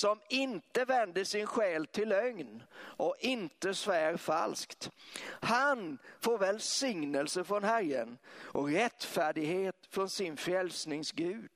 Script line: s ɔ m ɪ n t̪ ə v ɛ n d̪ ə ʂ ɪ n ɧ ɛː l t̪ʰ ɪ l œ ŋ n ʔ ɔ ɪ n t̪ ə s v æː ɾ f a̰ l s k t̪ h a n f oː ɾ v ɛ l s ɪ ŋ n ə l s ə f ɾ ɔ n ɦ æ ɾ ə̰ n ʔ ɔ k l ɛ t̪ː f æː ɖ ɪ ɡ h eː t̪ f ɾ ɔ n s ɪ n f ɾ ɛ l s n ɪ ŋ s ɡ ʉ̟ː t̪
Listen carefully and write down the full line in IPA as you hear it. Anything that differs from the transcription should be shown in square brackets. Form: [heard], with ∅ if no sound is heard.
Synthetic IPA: s ɔ m ɪ n t̪ ə v ɛ n d̪ ə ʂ ɪ n ɧ ɛː l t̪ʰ ɪ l œ ŋ n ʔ ɔ ɪ n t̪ ə s v æː ɾ f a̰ l s k t̪ h a n f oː ɾ v ɛ l s ɪ ŋ n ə l s ə f ɾ ɔ n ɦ æ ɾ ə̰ n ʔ ɔ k [ɾ] ɛ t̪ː f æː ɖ ɪ ɡ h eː t̪ f ɾ ɔ n s ɪ n f ɾ ɛ l s n ɪ ŋ s ɡ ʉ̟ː [d̪]